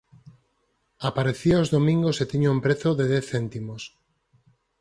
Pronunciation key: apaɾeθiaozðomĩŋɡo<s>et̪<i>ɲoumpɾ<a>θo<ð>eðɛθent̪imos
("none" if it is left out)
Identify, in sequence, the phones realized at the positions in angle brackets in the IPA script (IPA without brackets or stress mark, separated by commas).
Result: s, i, e, ð